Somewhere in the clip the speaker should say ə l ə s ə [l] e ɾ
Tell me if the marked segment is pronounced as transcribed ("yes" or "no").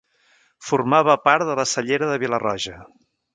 no